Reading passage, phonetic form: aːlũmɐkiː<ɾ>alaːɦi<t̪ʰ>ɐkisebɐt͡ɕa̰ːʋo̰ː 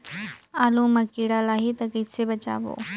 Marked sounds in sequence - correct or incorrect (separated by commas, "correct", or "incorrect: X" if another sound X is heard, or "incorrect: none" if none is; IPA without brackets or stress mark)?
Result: incorrect: ɽ, incorrect: t̪